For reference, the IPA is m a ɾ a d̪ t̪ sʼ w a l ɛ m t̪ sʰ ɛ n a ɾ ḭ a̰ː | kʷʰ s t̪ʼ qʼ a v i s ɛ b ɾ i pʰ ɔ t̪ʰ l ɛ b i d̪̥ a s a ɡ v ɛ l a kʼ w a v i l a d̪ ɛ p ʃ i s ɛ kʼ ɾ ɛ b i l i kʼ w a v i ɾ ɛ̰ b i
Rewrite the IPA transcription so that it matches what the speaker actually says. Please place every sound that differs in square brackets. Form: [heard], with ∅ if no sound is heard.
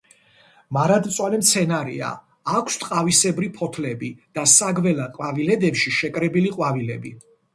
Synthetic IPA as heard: m a ɾ a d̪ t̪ sʼ w a l ɛ m t̪ sʰ ɛ n a ɾ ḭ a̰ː | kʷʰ s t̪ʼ qʼ a v i s ɛ b ɾ i pʰ ɔ t̪ʰ l ɛ b i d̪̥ a s a ɡ v ɛ l a [qʼ] w a v i l [ɛ] d̪ ɛ p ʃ i [ʃ] ɛ kʼ ɾ ɛ b i l i [qʼ] w a v i [l] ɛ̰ b i